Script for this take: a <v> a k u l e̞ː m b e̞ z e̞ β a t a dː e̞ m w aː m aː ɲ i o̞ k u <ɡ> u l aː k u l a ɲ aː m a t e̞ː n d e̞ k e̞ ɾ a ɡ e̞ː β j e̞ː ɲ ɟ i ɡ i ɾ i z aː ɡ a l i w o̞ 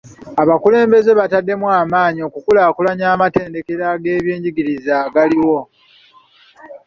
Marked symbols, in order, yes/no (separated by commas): no, no